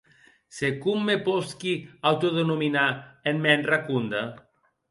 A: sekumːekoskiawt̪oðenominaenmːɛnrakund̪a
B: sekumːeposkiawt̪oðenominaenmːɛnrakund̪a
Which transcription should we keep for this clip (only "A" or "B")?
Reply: B